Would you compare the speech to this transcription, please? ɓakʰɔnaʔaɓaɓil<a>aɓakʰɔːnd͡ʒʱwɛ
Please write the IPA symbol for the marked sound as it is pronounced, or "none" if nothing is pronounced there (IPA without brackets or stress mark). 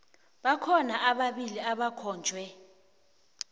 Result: i